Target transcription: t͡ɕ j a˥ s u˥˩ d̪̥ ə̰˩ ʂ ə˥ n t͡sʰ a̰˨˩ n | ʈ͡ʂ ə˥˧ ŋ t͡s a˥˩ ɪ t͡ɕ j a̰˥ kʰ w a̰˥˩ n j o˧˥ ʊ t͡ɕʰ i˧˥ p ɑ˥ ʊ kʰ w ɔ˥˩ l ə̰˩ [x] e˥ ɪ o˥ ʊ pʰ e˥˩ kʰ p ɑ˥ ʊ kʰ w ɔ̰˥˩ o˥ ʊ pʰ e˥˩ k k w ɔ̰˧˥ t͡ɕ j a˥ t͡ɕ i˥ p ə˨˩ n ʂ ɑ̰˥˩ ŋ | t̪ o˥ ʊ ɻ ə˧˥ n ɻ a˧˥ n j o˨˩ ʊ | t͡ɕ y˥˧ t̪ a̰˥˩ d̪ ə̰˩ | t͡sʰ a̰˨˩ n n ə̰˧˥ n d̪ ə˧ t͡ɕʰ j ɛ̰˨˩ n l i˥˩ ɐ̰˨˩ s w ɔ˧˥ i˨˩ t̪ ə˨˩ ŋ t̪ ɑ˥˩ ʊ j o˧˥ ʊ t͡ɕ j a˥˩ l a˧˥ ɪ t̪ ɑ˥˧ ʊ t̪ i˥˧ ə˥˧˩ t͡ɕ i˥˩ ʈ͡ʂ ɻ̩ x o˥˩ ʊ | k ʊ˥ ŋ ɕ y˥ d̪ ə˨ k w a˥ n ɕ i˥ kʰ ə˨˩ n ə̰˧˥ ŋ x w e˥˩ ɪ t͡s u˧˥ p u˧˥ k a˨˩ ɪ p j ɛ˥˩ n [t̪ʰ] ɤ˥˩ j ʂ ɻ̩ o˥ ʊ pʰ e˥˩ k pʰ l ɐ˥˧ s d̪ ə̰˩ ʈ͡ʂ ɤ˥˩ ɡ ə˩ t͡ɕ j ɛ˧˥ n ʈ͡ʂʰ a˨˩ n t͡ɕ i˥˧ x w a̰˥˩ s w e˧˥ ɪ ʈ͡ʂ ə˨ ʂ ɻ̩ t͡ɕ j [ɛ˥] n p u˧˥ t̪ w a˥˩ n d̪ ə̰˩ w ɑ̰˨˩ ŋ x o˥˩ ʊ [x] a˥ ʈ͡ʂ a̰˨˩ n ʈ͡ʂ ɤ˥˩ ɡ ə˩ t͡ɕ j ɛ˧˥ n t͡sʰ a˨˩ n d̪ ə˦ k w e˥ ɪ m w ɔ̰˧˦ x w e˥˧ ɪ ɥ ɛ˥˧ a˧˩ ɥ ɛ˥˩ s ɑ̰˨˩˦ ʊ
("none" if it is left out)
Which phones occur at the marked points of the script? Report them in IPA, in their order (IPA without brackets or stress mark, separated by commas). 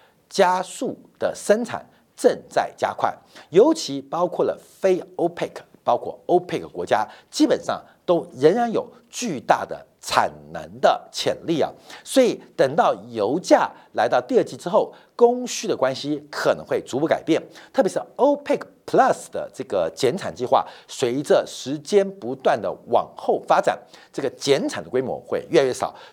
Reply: f, t̪ʰ, ɛ˥, f